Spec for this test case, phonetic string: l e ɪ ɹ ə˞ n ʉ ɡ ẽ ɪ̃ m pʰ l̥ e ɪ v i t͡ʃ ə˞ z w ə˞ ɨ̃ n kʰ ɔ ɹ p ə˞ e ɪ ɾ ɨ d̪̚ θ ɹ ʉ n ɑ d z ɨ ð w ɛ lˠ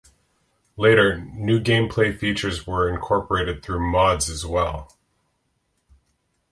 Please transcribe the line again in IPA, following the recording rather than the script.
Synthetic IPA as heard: l e ɪ ɾ ə˞ n ʉ ɡ ẽ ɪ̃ m pʰ l̥ e ɪ f i t͡ʃ ə˞ z w ə˞ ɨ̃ n kʰ ɔ ɹ p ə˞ e ɪ ɾ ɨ d̪̚ θ ɹ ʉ m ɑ d z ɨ z w ɛ lˠ